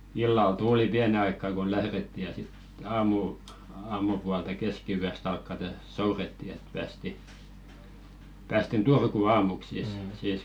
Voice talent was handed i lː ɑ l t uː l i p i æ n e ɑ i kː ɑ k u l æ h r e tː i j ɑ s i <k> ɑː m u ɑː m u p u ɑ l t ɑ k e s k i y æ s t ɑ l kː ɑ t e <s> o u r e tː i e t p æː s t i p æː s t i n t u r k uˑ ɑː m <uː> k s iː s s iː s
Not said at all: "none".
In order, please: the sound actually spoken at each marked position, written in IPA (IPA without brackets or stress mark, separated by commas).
t, s, u